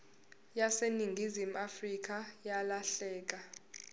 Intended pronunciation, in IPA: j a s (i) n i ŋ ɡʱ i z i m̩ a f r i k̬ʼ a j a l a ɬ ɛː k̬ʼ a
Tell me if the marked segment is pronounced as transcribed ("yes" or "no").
no